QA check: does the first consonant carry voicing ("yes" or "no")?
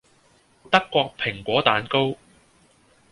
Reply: no